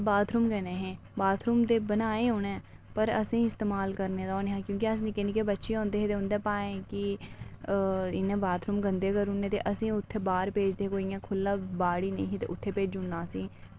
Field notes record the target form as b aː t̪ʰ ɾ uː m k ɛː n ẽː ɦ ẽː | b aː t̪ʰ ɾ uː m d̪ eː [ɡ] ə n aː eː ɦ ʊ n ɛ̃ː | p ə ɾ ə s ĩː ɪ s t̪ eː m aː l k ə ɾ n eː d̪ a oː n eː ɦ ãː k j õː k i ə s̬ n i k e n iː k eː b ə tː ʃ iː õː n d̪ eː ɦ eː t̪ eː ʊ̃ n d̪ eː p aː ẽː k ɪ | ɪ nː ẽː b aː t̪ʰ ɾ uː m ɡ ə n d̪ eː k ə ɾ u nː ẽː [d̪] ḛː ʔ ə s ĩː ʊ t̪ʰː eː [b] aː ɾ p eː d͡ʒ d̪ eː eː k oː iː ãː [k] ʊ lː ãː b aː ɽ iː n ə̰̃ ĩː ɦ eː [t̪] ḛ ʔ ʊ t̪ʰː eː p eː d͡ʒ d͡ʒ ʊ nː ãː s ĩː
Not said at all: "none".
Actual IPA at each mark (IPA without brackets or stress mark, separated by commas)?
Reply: b, t̪, b, kʰ, t̪